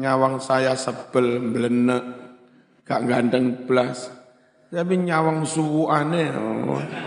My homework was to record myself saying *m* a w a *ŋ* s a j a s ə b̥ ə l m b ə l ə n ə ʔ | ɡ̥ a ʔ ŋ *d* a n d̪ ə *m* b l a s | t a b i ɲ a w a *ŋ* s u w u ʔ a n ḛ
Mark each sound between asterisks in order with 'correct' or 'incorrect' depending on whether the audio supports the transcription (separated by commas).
incorrect, correct, incorrect, incorrect, correct